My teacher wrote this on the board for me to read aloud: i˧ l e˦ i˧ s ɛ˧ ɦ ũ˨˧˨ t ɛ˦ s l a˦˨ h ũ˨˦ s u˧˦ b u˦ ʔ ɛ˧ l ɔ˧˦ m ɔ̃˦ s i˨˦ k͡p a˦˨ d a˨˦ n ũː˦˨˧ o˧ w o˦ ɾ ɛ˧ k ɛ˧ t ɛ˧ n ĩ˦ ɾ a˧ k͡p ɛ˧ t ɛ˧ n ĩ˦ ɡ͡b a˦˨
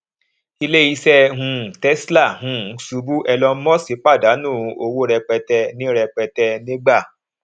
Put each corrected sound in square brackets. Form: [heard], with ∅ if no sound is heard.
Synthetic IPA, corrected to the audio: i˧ l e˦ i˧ s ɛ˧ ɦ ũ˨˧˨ t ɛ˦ s l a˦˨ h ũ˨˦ s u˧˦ b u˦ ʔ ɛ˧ l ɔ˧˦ m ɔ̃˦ s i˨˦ k͡p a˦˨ d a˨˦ n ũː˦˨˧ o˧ w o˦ ɾ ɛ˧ [k͡p] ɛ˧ t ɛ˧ n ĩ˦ ɾ [ɛ˧] k͡p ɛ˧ t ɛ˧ n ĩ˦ ɡ͡b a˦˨